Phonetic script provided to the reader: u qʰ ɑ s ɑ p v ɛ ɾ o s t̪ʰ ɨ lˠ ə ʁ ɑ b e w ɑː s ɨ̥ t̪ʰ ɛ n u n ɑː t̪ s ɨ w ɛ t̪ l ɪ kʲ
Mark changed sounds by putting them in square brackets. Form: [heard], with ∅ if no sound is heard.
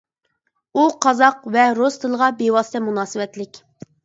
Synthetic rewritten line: u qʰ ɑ [z] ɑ [q] v ɛ ɾ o s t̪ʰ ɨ lˠ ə ʁ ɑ b e w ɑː s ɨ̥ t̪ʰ ɛ [m] u n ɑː [∅] s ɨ w ɛ t̪ l ɪ kʲ